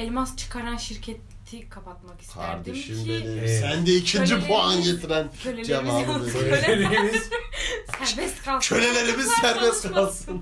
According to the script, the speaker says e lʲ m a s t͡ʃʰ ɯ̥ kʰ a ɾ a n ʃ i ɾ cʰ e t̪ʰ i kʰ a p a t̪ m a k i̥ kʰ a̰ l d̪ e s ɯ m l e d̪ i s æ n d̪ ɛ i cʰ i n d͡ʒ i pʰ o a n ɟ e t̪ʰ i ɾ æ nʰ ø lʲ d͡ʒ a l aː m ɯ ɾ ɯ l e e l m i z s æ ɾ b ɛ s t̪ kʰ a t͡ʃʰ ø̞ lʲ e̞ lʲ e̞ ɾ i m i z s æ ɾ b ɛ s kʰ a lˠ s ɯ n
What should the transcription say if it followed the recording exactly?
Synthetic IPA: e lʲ m a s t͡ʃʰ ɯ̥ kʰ a ɾ a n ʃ i ɾ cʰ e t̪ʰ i kʰ a p a t̪ m a k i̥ kʰ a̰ ɾ d̪ e ʃ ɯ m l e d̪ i s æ n d̪ ɛ i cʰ i n d͡ʒ i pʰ o a n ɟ e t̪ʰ i ɾ æ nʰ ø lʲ d͡ʒ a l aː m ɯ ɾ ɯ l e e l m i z s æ ɾ b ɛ s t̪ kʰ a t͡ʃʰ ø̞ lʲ e̞ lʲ e̞ ɾ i m i z s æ ɾ b ɛ s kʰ a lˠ s ɯ n